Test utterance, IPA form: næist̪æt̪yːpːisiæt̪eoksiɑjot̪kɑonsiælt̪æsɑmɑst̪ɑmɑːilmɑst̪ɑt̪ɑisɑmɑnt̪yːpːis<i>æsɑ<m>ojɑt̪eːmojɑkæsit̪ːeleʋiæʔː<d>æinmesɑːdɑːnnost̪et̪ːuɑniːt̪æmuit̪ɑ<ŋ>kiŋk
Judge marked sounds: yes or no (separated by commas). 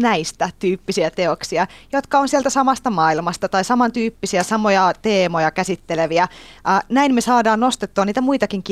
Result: yes, yes, no, no